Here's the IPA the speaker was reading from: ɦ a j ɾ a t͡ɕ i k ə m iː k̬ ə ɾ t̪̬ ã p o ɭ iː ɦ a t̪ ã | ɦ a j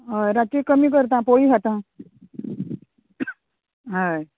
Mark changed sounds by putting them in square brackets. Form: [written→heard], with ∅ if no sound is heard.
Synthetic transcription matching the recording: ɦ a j ɾ a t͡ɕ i k ə m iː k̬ ə ɾ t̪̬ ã p o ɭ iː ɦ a t̪ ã | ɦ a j

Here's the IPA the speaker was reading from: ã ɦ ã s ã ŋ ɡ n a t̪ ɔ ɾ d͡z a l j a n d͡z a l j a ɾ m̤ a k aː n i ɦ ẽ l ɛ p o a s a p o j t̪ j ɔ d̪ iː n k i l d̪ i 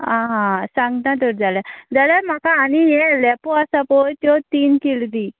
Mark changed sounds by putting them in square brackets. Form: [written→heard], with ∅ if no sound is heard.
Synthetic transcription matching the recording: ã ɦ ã s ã ŋ ɡ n a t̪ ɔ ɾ d͡z a l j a [n→∅] d͡z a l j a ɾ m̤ a k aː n i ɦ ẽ l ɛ p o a s a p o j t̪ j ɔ [d̪→t̪] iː n k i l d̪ i

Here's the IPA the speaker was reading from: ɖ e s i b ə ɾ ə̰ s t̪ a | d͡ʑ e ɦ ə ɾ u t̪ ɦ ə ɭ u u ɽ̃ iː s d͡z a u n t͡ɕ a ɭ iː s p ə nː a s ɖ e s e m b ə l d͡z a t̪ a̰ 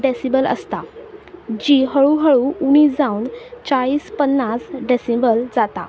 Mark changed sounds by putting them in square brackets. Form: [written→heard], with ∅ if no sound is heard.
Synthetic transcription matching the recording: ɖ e s i b ə [ɾ→l] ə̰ s t̪ a | d͡ʑ [e→i] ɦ ə [ɾ→ɭ] u [t̪→∅] ɦ ə ɭ u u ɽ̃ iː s d͡z a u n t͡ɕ a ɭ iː s p ə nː a s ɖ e s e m b ə l d͡z a t̪ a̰

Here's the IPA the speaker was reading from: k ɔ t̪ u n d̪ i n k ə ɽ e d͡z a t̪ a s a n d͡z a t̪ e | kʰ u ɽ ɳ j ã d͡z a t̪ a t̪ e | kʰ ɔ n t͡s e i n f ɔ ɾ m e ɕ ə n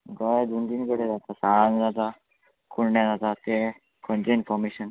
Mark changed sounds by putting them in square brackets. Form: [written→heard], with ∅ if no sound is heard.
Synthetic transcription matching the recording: [k→ɡ] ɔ [t̪→d̪] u n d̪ i n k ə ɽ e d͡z a t̪ a s a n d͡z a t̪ [e→a] | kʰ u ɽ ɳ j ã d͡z a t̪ a t̪ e | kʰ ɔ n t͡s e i n f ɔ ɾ m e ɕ ə n

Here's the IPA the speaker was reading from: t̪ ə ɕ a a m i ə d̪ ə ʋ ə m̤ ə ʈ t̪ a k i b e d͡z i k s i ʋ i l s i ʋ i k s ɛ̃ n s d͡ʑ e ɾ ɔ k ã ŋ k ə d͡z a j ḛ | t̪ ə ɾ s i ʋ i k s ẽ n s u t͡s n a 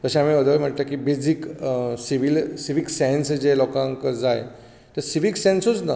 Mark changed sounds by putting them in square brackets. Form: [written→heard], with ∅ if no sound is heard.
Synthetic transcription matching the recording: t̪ ə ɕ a a m i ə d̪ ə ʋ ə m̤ ə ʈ t̪ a k i b e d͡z i k s i ʋ i l s i ʋ i k s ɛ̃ n s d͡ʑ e [ɾ→l] ɔ k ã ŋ k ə d͡z a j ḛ | t̪ ə ɾ s i ʋ i k s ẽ n s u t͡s n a

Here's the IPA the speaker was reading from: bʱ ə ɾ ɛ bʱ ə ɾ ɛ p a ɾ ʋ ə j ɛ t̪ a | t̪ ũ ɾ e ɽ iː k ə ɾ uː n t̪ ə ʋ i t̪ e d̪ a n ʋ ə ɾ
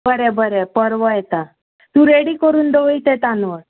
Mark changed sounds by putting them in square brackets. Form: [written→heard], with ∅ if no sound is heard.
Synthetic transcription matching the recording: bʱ ə ɾ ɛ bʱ ə ɾ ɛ p [a→ə] ɾ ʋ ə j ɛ t̪ a | t̪ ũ ɾ e ɽ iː k ə ɾ uː n [t̪→d̪] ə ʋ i t̪ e [d̪→t̪] a n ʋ ə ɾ

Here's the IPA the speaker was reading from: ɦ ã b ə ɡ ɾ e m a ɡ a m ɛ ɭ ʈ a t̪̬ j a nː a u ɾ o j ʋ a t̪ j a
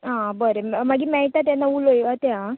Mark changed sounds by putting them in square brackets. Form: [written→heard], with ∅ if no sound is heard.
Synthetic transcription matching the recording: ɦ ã b ə [ɡ→∅] ɾ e m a ɡ [a→i] m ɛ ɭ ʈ a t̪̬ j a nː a u [ɾ→l] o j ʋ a t̪ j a

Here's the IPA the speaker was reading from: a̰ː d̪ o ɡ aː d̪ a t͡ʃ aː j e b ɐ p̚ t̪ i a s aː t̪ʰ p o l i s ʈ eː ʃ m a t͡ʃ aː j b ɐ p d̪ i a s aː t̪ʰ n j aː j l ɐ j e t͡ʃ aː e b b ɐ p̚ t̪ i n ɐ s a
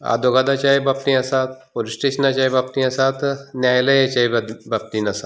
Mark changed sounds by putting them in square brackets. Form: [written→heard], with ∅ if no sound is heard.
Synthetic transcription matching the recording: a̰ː d̪ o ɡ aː d̪ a t͡ʃ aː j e b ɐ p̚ t̪ i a s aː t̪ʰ p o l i s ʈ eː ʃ [m→n] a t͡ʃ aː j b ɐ p [d̪→t̪] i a s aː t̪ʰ n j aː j l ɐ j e t͡ʃ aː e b b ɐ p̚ t̪ i n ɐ s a

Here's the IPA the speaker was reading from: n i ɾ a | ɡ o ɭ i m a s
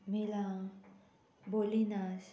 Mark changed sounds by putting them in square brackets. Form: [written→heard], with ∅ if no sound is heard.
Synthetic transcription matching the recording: [n→m] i [ɾ→l] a | [ɡ→b] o [ɭ→l] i [m→n] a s

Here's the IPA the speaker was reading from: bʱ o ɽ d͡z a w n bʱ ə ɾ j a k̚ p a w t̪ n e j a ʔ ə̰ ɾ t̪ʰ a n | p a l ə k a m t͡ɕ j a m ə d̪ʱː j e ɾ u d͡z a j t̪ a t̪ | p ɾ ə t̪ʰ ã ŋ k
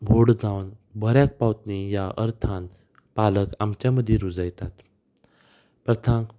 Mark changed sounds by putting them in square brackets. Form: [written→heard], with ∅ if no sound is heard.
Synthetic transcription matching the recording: bʱ o ɽ d͡z a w n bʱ ə ɾ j a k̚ p a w t̪ n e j a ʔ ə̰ ɾ t̪ʰ a n | p a l ə k a m t͡ɕ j a m ə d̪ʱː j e ɾ u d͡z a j t̪ a t̪ | p ɾ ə t̪ʰ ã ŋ k

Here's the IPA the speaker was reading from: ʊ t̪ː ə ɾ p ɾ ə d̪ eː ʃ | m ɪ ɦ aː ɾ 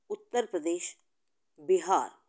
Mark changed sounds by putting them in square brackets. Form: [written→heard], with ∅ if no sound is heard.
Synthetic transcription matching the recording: ʊ t̪ː ə ɾ p ɾ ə d̪ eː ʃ | [m→b] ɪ ɦ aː ɾ

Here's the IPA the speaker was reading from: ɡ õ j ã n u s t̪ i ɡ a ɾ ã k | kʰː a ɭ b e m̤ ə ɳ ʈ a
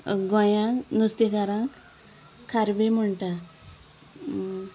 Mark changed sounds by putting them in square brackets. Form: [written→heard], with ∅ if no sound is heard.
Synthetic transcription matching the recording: ɡ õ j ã n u s t̪ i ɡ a ɾ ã k | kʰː a [ɭ→ɾ] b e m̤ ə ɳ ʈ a

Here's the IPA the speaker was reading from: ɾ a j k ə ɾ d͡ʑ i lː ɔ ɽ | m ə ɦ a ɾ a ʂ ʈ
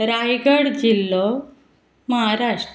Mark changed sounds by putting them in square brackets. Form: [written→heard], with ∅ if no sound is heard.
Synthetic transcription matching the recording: ɾ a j [k→ɡ] ə [ɾ→ɽ] d͡ʑ i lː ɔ [ɽ→∅] | m ə ɦ a ɾ a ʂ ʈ

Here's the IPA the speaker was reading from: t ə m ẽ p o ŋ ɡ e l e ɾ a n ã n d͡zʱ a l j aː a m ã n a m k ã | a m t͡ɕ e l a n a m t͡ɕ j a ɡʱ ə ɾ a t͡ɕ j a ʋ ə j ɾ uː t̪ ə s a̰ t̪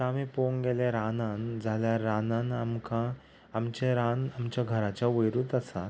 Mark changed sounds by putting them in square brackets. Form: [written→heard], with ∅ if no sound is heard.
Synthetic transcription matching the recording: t [ə→a] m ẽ p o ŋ ɡ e l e ɾ a n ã n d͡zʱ a l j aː a [m→n] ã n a m k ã | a m t͡ɕ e [l→ɾ] a n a m t͡ɕ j a ɡʱ ə ɾ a t͡ɕ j a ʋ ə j ɾ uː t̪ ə s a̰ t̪

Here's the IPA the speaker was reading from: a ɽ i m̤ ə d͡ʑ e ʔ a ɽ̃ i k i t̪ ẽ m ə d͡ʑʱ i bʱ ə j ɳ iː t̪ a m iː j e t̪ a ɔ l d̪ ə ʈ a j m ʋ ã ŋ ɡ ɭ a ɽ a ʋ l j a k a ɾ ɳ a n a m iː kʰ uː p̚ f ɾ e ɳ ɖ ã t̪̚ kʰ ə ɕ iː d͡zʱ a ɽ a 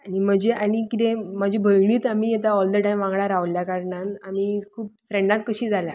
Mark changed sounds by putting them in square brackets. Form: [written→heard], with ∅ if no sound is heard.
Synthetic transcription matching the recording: a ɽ i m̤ ə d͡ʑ e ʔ a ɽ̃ i k i t̪ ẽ m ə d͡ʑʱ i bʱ ə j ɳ iː t̪ a m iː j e t̪ a ɔ l d̪ ə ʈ a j m ʋ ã ŋ ɡ ɭ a [ɽ→ɾ] a ʋ l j a k a ɾ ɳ a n a m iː kʰ uː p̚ f ɾ e ɳ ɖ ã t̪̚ [kʰ→k] ə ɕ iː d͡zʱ a [ɽ→l] a

